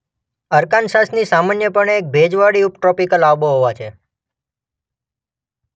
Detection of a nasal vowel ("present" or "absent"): absent